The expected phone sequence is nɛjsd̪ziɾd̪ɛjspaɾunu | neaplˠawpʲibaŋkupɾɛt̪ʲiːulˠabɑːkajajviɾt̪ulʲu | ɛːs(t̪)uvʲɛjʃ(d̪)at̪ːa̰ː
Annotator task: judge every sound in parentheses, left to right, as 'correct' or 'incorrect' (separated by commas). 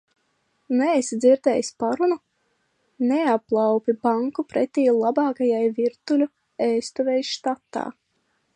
correct, incorrect